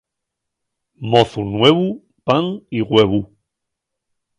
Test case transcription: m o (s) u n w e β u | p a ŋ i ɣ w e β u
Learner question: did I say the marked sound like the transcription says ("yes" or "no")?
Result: no